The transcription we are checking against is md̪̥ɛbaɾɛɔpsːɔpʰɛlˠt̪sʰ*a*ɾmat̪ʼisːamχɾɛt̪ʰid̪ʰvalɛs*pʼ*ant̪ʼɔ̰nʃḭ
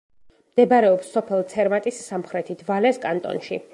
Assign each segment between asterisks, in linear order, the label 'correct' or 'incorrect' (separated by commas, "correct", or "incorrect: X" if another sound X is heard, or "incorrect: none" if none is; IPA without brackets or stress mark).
incorrect: ɛ, incorrect: kʼ